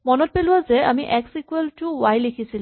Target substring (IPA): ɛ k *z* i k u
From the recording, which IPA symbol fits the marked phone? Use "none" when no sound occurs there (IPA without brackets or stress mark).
s